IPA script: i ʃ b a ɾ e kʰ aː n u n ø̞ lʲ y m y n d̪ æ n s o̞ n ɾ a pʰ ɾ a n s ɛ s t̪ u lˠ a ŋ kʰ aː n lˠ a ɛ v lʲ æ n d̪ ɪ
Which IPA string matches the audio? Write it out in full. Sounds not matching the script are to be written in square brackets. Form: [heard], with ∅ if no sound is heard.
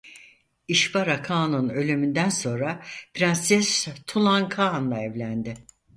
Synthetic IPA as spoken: i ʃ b a ɾ [a] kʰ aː n u n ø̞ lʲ y m y n d̪ æ n s o̞ n ɾ a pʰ ɾ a n s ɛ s [t̪ʰ] u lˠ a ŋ kʰ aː n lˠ a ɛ v lʲ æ n d̪ ɪ